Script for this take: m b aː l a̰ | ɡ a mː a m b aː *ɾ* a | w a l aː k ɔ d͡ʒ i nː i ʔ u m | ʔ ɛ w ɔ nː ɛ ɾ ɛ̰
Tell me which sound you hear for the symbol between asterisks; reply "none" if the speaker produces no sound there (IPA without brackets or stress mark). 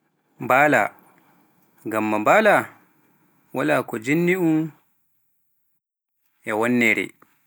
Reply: l